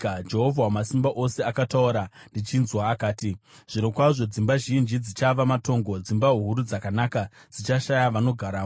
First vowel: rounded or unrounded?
unrounded